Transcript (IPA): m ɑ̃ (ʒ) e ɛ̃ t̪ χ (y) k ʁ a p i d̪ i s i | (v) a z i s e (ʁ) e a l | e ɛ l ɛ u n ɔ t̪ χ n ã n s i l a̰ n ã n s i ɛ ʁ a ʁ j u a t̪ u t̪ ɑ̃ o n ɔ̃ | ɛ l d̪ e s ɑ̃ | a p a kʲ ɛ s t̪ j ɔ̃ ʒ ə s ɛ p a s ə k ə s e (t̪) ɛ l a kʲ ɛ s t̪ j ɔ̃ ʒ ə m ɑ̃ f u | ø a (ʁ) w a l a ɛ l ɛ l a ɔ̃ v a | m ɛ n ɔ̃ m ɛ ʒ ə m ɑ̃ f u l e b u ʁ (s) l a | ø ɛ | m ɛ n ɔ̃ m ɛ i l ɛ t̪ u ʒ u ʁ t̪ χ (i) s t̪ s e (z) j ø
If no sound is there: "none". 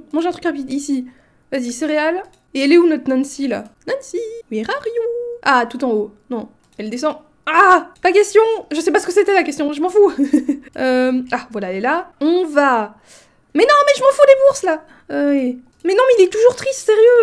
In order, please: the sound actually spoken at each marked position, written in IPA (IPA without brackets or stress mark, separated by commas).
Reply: ʒ, y, v, ʁ, t̪, v, s, i, ʁ